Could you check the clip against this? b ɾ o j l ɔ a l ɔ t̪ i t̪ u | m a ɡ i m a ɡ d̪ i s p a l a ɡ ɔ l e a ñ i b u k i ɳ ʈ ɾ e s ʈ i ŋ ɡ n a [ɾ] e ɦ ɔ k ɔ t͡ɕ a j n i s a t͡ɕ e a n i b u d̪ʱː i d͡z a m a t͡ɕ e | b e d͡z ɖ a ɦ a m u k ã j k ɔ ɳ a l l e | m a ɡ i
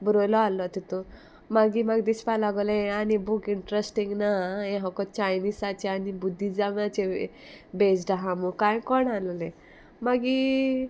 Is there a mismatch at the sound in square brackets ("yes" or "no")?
yes